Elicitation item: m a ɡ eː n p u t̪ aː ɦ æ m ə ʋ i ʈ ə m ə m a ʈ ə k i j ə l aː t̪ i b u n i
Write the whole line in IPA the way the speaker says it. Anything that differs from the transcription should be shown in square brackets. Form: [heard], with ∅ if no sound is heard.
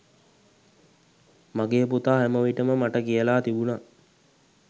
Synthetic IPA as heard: m a ɡ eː [∅] p u t̪ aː ɦ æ m ə ʋ i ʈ ə m ə m a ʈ ə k i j ə l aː t̪ i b u n [a]